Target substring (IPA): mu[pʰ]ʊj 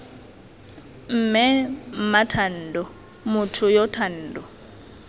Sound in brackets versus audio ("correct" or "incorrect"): incorrect